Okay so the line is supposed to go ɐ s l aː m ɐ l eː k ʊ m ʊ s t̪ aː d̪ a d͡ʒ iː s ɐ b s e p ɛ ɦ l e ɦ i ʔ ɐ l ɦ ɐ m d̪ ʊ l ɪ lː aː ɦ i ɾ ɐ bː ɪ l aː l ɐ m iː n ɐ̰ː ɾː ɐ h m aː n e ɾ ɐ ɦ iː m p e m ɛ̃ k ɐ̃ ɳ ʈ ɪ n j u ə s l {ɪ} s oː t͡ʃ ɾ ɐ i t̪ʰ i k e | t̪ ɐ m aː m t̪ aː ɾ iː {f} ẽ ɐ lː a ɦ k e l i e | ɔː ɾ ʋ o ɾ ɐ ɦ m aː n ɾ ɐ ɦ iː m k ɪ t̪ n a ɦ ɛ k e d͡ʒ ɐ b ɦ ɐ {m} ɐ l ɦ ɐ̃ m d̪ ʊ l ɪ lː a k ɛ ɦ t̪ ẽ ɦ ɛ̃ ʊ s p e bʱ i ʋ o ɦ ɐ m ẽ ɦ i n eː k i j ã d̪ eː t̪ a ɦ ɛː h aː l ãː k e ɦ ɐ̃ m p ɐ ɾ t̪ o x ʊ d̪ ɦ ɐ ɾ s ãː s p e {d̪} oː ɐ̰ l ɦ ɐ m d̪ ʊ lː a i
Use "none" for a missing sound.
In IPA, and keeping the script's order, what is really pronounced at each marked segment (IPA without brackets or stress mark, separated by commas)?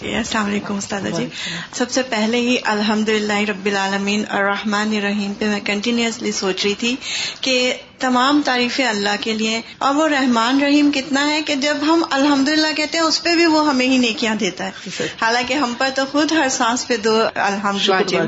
i, f, m, d̪